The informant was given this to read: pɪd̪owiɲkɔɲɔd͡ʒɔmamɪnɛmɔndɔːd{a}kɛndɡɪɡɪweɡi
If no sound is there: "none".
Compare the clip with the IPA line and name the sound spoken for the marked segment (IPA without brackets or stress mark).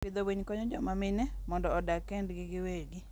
a